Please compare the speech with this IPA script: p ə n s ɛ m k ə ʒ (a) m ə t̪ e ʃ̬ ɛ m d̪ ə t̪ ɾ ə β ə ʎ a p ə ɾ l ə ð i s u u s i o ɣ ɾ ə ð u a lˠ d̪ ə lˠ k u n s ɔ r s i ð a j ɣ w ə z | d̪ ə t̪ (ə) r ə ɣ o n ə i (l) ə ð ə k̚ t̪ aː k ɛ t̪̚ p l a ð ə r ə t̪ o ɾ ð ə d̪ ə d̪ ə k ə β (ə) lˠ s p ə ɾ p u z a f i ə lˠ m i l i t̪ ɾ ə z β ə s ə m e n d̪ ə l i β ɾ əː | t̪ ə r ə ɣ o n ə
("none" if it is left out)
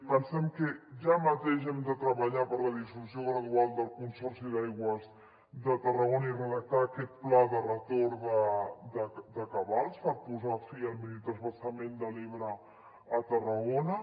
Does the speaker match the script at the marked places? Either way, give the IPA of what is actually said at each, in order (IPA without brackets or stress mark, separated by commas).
a, ə, r, a